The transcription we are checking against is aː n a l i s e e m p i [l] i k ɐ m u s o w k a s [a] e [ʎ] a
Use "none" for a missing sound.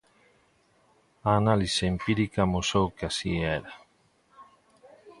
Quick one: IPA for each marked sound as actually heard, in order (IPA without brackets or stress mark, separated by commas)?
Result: ɾ, i, ɾ